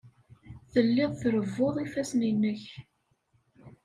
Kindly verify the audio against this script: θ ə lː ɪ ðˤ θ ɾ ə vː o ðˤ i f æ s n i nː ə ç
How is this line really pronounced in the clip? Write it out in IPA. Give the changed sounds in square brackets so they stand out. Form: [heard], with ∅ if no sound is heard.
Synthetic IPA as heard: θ ə lː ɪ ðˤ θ ɾ ə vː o ðˤ i f æ s n i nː ə ç

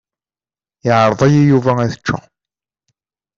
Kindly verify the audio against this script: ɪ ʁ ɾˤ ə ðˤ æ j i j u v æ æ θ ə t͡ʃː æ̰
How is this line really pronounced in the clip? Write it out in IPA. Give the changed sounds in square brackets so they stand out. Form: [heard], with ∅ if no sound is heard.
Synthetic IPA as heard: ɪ [ʕ] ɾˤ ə ðˤ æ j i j u v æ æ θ ə t͡ʃː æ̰

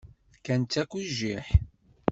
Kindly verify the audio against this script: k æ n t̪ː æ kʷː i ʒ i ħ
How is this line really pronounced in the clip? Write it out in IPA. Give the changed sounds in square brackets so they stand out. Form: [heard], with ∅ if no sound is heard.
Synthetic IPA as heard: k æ n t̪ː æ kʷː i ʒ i ħ

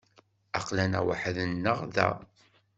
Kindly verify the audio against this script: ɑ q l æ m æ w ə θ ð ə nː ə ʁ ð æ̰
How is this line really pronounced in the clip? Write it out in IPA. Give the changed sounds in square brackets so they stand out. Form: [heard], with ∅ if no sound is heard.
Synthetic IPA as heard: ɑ q l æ [n] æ w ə [ħ] ð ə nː ə ʁ ð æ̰

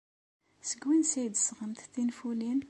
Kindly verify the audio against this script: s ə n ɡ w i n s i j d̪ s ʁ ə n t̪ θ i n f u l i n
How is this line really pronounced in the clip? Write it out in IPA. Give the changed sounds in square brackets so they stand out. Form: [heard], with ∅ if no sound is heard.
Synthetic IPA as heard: s ə [∅] ɡ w i n s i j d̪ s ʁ ə [m] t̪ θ i n f u l i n

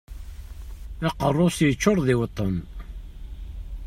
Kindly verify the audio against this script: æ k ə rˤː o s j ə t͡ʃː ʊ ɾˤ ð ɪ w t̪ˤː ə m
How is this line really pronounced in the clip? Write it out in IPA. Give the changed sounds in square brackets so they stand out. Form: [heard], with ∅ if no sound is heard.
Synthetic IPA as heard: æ [q] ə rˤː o s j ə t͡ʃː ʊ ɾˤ ð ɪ w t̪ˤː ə [n]

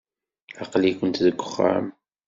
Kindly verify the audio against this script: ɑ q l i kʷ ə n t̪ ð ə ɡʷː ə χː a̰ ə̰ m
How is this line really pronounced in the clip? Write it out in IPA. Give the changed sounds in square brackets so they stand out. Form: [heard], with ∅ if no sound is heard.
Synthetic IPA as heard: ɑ q l i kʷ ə n t̪ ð ə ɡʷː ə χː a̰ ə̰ m

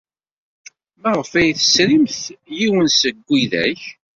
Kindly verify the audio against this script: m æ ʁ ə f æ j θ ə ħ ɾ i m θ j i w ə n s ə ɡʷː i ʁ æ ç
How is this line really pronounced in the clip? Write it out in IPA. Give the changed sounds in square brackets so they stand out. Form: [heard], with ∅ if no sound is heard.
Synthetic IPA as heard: m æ ʁ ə f æ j θ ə [s] ɾ i m θ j i w ə n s ə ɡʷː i [ð] æ ç

